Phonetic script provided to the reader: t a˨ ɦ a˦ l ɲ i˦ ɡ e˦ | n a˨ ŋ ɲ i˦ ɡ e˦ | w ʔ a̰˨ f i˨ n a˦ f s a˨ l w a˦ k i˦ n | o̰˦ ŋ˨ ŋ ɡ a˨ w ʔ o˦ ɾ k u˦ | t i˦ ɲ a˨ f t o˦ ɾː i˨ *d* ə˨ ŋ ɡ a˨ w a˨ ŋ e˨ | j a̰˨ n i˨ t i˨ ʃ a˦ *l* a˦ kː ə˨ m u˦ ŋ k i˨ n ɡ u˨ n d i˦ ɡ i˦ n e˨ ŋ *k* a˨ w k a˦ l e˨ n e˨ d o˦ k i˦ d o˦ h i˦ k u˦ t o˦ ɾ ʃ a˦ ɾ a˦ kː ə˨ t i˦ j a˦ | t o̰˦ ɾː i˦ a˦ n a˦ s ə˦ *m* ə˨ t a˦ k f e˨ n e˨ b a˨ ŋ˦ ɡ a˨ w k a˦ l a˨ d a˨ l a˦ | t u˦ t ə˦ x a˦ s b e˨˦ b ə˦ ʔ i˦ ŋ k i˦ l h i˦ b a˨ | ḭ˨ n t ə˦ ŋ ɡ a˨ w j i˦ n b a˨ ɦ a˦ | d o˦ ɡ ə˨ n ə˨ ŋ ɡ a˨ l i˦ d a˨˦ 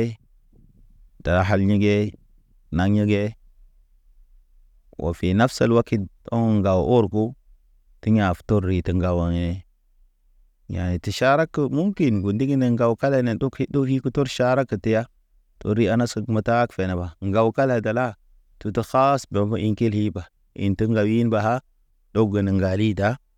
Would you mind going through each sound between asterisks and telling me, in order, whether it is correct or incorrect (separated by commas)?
incorrect, incorrect, incorrect, correct